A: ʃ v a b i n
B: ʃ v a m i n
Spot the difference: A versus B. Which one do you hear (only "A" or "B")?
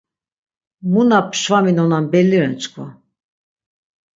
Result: B